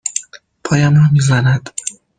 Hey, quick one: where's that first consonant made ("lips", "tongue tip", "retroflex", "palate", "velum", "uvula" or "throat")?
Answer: lips